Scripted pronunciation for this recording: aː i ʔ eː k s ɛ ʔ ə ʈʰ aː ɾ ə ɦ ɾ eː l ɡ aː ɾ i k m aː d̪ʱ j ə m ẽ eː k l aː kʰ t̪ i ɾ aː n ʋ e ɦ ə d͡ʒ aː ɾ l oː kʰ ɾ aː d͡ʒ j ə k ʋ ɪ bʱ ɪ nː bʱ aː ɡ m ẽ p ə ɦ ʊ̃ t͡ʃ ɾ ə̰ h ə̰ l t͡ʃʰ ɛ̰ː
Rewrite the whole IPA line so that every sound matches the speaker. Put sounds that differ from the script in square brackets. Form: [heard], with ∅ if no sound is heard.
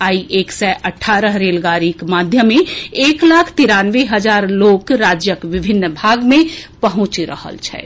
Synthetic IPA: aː i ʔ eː k s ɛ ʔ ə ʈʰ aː ɾ ə ɦ ɾ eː l ɡ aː ɾ i k m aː d̪ʱ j ə m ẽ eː k l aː kʰ t̪ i ɾ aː n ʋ e ɦ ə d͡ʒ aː ɾ l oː [k] ɾ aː d͡ʒ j ə k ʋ ɪ bʱ ɪ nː bʱ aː ɡ m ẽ p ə ɦ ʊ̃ t͡ʃ ɾ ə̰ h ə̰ l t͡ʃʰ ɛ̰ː